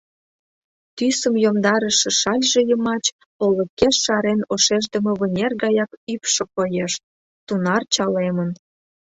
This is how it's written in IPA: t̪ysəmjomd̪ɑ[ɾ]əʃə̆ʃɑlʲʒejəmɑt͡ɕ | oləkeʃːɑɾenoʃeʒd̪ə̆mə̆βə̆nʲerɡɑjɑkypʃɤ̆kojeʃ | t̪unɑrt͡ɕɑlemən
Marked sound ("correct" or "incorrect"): correct